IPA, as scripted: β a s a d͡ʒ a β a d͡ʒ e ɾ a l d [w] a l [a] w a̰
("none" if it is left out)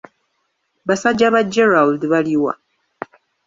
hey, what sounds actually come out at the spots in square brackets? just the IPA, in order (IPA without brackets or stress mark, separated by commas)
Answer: β, i